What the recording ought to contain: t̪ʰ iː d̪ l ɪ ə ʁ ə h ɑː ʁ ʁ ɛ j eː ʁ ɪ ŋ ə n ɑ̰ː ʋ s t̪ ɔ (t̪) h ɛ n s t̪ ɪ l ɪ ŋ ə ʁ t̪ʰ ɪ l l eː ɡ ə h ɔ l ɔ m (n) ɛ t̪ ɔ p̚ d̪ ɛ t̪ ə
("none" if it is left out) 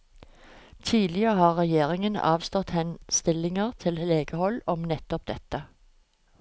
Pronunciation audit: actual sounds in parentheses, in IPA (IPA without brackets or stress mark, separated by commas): t̪, n